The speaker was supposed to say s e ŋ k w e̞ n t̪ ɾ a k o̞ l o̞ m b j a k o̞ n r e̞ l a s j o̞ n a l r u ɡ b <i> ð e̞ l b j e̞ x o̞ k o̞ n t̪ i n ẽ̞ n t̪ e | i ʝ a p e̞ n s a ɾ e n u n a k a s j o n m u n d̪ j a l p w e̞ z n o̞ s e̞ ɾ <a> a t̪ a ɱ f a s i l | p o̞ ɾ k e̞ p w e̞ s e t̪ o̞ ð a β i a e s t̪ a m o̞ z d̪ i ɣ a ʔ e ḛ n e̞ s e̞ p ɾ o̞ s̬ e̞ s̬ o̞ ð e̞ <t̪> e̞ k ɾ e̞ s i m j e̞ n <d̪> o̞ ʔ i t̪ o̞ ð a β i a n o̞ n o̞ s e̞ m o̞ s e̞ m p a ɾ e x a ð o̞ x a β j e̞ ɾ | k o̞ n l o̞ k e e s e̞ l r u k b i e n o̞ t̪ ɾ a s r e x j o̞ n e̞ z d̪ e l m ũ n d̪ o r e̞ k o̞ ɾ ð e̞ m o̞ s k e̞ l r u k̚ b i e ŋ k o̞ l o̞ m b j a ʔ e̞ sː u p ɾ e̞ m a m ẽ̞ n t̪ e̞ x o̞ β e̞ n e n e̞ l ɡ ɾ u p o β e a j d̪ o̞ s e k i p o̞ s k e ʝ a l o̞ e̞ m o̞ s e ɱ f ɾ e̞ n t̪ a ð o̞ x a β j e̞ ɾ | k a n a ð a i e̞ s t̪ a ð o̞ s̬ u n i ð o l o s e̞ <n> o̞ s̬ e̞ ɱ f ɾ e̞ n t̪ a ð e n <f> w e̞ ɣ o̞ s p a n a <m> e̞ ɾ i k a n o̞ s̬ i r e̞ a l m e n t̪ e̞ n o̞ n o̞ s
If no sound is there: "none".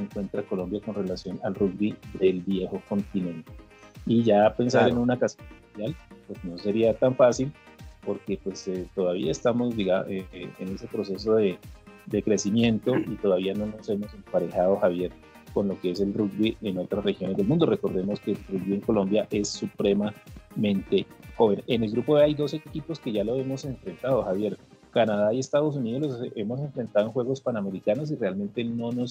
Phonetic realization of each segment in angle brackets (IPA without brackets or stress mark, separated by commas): i, i, d̪, t̪, m, x, m